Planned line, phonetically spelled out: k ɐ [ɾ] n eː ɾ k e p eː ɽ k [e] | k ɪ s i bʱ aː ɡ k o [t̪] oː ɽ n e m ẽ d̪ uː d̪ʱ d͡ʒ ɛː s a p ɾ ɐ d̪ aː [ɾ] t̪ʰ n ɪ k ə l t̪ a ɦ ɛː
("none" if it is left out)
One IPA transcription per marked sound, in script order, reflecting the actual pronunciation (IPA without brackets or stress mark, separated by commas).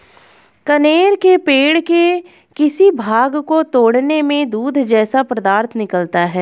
none, e, t̪, ɾ